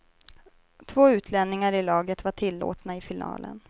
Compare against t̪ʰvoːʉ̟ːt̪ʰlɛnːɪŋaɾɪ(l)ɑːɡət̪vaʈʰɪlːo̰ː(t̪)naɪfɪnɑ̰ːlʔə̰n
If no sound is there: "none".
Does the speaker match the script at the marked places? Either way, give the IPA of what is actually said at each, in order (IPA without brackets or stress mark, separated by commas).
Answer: l, t̪